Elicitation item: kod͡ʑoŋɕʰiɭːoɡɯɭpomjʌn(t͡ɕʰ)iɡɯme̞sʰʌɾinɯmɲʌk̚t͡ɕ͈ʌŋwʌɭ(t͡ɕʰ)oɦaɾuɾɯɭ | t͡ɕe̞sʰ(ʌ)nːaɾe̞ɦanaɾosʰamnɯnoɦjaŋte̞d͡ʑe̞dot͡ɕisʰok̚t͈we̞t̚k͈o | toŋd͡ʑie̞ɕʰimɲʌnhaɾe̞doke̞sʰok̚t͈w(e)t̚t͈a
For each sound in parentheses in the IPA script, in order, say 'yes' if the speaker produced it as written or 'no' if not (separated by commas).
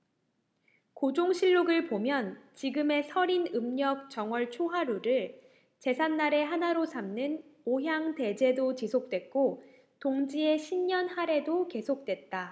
no, yes, no, yes